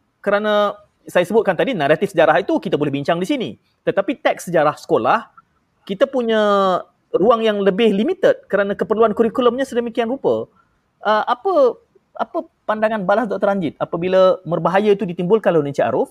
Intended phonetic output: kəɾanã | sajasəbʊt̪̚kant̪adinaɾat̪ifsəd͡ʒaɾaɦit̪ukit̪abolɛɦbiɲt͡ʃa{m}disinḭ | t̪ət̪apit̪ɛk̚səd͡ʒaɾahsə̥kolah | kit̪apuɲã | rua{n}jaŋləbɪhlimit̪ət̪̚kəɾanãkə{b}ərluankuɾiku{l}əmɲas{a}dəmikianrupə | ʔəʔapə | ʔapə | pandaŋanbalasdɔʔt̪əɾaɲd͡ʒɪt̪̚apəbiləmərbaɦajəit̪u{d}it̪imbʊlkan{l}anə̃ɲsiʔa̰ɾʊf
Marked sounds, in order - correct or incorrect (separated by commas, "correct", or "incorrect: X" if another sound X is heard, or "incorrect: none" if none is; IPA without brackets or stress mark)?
incorrect: ŋ, incorrect: ŋ, incorrect: p, correct, incorrect: ə, correct, correct